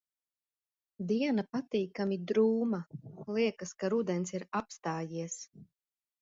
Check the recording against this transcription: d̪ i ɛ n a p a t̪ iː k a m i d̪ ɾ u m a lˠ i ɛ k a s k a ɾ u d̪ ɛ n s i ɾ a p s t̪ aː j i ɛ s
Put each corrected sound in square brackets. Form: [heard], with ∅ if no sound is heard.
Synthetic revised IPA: d̪ i ɛ n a p a t̪ iː k a m i d̪ ɾ [uː] m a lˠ i ɛ k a s k a ɾ u d̪ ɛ n s i ɾ a p s t̪ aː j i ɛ s